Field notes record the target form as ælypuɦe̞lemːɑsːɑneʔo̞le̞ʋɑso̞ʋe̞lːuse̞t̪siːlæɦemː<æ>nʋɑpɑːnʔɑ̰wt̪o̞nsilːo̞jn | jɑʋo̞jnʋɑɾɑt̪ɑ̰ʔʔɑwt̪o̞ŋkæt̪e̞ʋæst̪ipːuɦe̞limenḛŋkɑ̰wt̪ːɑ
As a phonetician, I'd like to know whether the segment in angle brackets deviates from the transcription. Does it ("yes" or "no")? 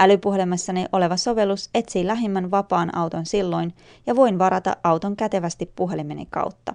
no